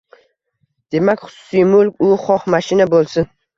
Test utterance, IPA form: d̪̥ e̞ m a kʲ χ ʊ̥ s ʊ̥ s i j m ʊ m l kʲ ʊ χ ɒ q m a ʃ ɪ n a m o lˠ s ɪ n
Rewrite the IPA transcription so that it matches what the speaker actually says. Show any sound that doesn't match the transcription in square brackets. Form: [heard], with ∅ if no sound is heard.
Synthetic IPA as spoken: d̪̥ e̞ m a kʲ χ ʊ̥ s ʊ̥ s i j m ʊ [∅] l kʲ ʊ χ ɒ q m a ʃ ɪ n a [b] o lˠ s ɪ n